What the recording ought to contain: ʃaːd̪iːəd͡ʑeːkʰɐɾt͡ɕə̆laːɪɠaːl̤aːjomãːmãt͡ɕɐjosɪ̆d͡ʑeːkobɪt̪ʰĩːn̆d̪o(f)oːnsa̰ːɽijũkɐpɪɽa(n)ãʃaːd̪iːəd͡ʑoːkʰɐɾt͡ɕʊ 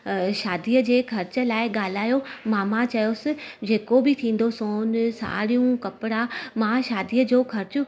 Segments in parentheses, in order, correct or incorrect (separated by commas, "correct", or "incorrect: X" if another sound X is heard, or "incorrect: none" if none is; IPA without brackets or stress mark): incorrect: s, incorrect: m